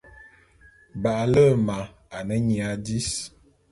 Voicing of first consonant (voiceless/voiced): voiced